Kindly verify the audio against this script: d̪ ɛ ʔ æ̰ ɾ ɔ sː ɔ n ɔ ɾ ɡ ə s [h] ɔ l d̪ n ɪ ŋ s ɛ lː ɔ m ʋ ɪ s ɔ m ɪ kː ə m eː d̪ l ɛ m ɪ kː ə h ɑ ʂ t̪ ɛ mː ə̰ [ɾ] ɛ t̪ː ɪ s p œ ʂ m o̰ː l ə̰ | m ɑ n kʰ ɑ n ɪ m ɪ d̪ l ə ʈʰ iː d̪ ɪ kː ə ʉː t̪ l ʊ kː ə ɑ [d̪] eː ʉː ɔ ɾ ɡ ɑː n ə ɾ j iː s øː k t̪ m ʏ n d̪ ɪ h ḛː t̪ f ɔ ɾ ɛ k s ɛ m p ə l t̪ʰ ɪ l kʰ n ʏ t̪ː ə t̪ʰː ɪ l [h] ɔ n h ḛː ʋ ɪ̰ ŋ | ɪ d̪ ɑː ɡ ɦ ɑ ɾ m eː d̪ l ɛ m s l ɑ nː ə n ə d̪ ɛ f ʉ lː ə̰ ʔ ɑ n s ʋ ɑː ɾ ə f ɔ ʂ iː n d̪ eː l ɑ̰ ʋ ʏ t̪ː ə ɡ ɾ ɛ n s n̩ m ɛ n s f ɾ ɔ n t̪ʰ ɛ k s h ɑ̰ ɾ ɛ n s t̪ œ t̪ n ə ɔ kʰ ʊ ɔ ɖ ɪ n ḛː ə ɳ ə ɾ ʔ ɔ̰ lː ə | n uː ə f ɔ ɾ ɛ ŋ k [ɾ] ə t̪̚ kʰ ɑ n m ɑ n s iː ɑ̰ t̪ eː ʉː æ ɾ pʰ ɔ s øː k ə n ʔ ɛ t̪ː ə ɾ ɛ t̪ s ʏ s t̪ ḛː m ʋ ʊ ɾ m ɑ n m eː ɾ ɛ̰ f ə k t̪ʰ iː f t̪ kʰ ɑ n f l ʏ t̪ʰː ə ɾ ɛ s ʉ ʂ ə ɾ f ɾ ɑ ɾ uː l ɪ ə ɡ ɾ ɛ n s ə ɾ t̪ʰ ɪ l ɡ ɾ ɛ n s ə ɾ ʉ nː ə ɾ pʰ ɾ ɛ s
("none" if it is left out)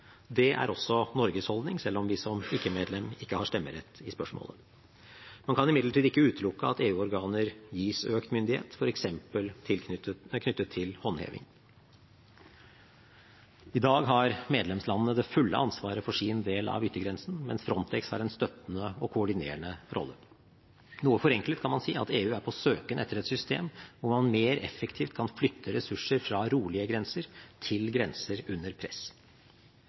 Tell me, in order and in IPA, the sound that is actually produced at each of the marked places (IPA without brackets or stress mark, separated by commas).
h, ɾ, t̪, h, l